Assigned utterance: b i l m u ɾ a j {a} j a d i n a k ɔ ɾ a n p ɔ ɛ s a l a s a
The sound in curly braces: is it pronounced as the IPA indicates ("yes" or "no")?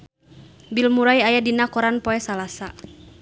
yes